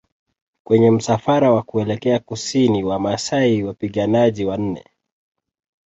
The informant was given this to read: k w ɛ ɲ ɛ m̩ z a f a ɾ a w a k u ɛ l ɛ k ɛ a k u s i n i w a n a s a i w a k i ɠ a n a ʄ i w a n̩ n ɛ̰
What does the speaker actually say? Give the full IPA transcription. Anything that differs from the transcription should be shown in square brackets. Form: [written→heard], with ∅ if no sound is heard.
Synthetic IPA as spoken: k w ɛ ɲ ɛ m̩ [z→s] a f a ɾ a w a k u ɛ l ɛ k ɛ a k u s i n i w a [n→m] a s a i w a [k→p] i ɠ a n a ʄ i w a n̩ n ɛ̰